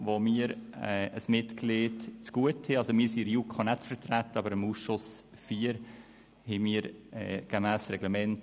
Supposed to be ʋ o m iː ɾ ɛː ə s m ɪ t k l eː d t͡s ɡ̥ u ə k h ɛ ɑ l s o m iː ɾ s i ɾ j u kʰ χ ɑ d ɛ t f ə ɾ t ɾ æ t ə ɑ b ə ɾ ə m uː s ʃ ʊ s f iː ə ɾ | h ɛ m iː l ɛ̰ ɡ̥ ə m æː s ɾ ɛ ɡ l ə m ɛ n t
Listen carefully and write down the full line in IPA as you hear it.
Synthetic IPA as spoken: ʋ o m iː ɾ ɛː ə s m ɪ t k l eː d t͡s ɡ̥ u ə t h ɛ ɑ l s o m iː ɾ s i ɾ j u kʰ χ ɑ n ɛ t f ə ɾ t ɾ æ t ə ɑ b ə ɾ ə m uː s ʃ ʊ s f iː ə ɾ | h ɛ m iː ɾ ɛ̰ ɡ̥ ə m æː s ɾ ɛ ɡ l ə m ɛ n t